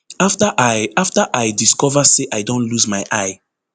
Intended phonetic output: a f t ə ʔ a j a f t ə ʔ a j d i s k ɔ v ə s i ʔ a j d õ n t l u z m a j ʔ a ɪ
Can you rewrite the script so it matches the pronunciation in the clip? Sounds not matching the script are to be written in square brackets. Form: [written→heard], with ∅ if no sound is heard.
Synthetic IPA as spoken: a f t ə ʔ a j a f t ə ʔ a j d i s k ɔ v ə s [i→e] ʔ a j d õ n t l u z m a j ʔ a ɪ

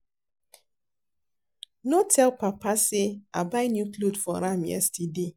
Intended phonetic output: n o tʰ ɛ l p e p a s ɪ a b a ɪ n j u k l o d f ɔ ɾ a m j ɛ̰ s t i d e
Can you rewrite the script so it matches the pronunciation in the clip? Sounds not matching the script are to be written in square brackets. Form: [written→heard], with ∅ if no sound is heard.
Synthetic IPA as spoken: n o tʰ ɛ l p [e→a] p a s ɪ a b a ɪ n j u k l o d f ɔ ɾ a m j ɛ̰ s t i d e

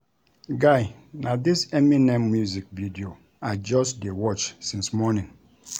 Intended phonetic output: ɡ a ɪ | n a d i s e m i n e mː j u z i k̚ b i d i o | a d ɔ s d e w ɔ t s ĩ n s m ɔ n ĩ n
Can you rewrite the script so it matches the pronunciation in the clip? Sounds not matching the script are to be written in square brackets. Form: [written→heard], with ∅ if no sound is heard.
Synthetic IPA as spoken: ɡ a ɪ | n a d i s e m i n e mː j u z i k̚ [b→v] i d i o | a [d→d͡ʒ] ɔ s d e w ɔ [t→t͡ʃ] s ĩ n s m ɔ n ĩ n

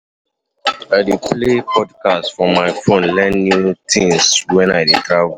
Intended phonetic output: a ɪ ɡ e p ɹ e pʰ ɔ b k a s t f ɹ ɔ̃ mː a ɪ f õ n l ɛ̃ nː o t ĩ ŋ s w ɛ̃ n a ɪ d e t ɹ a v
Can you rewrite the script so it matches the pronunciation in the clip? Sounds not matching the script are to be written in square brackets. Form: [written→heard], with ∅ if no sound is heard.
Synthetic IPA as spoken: a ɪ [ɡ→d] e p [ɹ→l] e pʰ ɔ [b→d] k a s t f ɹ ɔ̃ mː a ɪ f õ n l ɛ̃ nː [o→u] t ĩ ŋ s w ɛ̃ n a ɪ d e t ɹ a v

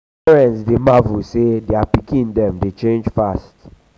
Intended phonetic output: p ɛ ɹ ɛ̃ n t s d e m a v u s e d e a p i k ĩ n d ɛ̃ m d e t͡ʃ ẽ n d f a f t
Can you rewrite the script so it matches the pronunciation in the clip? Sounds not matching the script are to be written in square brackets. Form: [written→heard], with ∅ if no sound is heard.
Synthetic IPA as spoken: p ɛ ɹ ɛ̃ n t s d e m a v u s e d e a p i k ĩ n d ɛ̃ m d e t͡ʃ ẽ n [d→d͡ʒ] f a [f→s] t

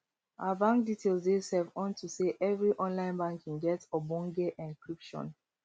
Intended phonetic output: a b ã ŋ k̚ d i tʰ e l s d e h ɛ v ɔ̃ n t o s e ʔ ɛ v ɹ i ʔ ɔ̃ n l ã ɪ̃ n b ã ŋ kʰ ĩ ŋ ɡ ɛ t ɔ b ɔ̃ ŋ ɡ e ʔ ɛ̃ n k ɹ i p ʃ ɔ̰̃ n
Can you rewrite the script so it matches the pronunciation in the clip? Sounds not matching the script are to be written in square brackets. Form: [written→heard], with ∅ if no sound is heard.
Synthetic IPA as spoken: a b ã ŋ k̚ d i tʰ e l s d e [h→s] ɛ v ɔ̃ n t [o→u] s e ʔ ɛ v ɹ i ʔ ɔ̃ n l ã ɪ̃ n b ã ŋ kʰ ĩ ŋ ɡ ɛ t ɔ b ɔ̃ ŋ ɡ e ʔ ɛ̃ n k ɹ i p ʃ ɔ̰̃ n

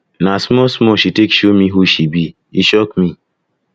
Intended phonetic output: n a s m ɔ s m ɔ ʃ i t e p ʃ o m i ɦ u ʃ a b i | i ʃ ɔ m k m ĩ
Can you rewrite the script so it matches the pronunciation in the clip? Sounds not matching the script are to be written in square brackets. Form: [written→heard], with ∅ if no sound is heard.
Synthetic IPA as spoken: n a s m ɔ s m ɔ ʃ i t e [p→k] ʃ o m i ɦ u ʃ [a→i] b i | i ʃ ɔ [m→∅] k m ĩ

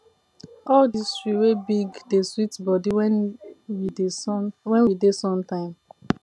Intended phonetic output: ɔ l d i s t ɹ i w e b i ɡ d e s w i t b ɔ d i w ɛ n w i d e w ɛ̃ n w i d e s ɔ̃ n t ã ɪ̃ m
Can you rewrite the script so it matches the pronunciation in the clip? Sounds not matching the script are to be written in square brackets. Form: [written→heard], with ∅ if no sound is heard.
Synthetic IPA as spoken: ɔ l d i s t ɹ i w e b i ɡ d e s w i t b ɔ d i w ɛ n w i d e w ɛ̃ n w i d e s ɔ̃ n t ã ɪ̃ m

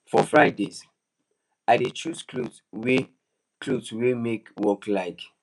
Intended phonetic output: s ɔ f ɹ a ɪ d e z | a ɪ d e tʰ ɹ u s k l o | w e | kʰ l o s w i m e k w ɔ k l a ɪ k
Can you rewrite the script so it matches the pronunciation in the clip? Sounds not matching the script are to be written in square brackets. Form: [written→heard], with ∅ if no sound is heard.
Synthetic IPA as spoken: [s→f] ɔ f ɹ a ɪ d e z | a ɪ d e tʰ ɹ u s k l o | w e | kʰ l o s w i m e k w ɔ k l a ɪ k

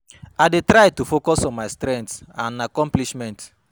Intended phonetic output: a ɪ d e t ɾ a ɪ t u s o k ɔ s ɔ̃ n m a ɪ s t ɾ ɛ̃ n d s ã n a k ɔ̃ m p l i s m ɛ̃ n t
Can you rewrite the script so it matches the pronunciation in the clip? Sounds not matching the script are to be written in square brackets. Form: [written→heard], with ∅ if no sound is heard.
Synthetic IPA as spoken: a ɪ d e t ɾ a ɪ t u [s→f] o k ɔ s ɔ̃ n m a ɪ s t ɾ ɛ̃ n [d→t] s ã n a k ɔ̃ m p l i [s→ʃ] m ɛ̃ n t

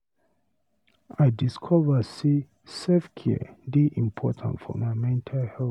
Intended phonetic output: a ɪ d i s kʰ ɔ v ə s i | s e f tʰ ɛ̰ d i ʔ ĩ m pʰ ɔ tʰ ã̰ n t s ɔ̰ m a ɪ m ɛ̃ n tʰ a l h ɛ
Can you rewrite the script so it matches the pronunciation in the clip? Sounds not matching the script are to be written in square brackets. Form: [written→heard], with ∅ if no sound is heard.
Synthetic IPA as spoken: a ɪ d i s kʰ ɔ v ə s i | s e f [tʰ→kʰ] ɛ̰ d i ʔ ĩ m pʰ ɔ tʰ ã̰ n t [s→f] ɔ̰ m a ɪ m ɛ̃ n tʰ a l h ɛ

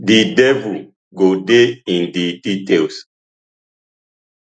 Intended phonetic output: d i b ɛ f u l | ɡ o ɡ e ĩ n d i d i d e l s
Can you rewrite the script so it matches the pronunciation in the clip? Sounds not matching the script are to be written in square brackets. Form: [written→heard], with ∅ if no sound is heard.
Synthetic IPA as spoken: d i [b→d] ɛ [f→v] u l | ɡ o [ɡ→d] e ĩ n d i d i [d→t] e l s

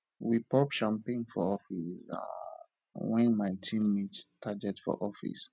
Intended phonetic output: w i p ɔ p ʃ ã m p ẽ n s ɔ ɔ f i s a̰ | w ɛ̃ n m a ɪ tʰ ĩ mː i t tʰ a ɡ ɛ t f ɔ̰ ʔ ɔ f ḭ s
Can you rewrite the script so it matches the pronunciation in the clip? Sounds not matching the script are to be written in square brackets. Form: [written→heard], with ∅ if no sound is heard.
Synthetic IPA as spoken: w i p ɔ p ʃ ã m p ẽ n [s→f] ɔ ɔ f i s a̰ | w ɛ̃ n m a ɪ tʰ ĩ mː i t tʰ a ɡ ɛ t f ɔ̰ ʔ ɔ f ḭ s

